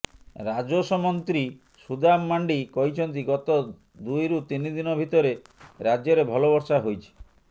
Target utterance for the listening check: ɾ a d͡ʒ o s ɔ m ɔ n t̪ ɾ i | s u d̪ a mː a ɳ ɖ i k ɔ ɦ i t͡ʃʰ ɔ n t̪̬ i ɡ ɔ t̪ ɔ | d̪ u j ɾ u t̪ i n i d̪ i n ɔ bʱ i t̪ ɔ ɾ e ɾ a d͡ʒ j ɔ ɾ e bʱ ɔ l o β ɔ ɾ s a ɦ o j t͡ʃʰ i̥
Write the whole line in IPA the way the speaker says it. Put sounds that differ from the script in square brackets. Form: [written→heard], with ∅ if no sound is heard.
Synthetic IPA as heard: ɾ a d͡ʒ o s ɔ m ɔ n t̪ ɾ i | s u d̪ a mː a ɳ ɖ i k ɔ ɦ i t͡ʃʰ ɔ n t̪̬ i ɡ ɔ t̪ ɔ | d̪ u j ɾ u t̪ i n i d̪ i n ɔ bʱ i t̪ ɔ ɾ e ɾ a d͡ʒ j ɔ ɾ e bʱ ɔ l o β ɔ ɾ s a ɦ o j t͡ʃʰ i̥